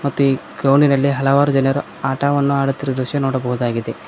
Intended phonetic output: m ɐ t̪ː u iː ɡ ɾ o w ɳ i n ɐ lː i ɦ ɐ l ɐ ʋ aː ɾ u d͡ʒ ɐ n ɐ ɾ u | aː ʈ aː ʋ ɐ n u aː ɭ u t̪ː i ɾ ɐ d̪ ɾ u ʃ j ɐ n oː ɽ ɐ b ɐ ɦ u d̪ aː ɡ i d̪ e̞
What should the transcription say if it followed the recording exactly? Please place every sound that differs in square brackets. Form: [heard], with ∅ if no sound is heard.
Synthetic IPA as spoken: m ɐ t̪ː u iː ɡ ɾ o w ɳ i n ɐ lː i ɦ ɐ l ɐ ʋ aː ɾ u d͡ʒ ɐ n ɐ ɾ u | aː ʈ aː ʋ ɐ [nː] u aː [ɽ] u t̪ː i ɾ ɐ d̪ ɾ u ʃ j ɐ n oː ɽ ɐ b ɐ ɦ u d̪ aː ɡ i d̪ e̞